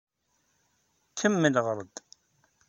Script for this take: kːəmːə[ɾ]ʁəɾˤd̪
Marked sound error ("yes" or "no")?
yes